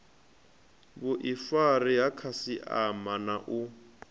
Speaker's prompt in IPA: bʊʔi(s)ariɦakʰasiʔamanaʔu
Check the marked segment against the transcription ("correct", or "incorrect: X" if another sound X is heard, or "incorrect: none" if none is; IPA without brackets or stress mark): incorrect: f